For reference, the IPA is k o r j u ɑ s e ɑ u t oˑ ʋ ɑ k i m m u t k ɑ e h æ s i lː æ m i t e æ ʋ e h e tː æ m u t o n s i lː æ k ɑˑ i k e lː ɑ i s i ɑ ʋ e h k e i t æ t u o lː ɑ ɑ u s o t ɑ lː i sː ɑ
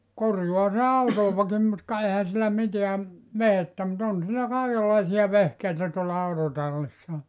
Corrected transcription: k o r j u ɑ s e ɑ u t oˑ ʋ ɑ k i m m u t k ɑ e h æ s i lː æ m i t e æ ʋ e h e tː æ m u t o n s i lː æ k ɑˑ i k e lː ɑ i s i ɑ ʋ e h k e i t æ t u o lː ɑ ɑ u t o t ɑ lː i sː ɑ